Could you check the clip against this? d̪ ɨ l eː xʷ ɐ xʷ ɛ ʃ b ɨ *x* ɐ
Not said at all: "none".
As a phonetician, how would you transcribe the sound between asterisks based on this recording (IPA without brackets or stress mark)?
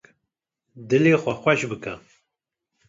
k